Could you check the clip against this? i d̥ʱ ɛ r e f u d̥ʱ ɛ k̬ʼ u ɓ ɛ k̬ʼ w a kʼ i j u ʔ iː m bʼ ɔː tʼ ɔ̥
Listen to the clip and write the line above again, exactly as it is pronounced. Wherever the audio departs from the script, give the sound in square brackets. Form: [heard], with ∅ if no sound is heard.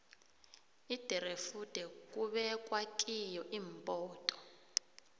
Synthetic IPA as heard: i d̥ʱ ɛ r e f u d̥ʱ ɛ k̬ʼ u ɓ ɛ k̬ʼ w a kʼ i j [ɔ] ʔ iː m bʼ ɔː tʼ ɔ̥